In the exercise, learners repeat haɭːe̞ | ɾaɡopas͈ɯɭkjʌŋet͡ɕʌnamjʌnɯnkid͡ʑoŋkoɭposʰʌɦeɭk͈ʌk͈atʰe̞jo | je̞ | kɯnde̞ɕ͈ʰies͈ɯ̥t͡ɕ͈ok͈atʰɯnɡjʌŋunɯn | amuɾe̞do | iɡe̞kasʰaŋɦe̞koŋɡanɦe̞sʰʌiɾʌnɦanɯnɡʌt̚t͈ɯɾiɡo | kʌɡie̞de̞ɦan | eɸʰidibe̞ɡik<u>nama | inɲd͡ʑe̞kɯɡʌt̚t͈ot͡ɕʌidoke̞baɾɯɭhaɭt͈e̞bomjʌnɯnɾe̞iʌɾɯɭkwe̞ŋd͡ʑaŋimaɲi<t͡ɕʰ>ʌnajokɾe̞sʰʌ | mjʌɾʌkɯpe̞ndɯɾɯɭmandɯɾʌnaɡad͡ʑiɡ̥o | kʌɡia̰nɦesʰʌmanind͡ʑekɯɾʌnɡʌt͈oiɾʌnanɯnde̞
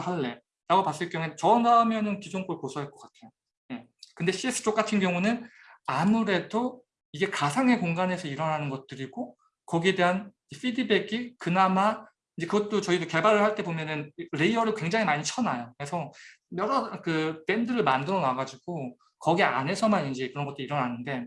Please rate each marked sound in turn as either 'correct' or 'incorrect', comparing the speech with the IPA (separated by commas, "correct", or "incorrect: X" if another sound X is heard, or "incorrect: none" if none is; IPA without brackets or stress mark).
incorrect: ɯ, correct